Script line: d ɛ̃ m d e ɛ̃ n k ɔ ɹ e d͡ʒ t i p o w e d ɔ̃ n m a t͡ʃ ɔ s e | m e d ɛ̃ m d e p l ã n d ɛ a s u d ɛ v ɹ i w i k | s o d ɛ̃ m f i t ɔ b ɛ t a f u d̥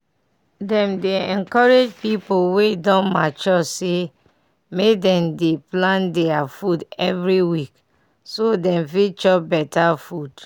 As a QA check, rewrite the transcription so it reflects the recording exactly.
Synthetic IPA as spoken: d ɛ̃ m d e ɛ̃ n k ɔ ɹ e d͡ʒ p i p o w e d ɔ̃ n m a t͡ʃ ɔ s e | m e d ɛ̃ m d e p l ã n d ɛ a f u d ɛ v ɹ i w i k | s o d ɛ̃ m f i t͡ʃ ɔ b ɛ t a f u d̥